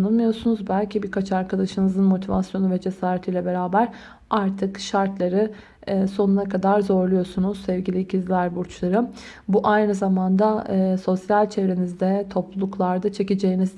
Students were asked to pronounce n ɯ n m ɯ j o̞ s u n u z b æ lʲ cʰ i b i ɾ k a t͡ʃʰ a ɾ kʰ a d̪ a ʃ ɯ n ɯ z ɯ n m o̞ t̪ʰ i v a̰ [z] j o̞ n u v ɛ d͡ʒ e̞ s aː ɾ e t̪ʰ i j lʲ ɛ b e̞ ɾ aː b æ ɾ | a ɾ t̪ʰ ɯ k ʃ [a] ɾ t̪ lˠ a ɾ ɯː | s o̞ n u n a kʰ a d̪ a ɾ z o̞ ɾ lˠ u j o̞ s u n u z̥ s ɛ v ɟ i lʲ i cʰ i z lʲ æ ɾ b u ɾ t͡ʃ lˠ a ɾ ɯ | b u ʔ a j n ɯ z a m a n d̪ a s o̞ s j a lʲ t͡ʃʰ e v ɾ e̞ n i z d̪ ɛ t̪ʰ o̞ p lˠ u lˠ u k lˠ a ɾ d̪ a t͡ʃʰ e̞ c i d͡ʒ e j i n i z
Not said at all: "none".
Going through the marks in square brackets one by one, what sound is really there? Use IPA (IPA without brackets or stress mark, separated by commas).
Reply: s, a